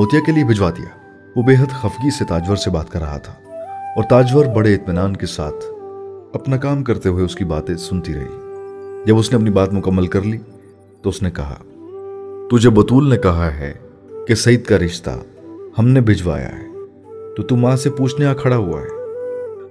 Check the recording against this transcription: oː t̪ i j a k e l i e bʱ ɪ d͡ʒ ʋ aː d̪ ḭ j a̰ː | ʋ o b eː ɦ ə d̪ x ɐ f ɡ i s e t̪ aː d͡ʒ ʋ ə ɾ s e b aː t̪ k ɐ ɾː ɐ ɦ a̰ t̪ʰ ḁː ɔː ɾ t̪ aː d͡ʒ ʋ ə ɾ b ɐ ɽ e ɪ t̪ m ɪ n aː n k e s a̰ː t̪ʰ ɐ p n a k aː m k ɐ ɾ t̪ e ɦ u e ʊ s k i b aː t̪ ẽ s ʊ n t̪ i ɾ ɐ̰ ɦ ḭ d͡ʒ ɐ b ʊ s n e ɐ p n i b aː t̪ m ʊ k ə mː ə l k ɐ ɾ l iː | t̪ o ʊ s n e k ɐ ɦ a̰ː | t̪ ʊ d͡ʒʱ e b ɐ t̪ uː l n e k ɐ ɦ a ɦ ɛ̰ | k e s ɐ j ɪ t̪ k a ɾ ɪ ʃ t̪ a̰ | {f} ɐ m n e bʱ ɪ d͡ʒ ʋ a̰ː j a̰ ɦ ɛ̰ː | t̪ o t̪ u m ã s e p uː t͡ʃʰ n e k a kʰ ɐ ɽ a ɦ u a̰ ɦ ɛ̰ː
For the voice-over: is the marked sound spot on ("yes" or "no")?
no